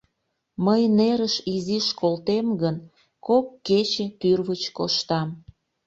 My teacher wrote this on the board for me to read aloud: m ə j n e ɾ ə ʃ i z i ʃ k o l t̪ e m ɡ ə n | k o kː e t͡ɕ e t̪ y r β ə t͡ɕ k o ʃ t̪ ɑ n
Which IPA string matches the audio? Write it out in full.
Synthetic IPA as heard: m ə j n e ɾ ə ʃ i z i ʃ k o l t̪ e m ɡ ə n | k o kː e t͡ɕ e t̪ y r β ə t͡ɕ k o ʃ t̪ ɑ m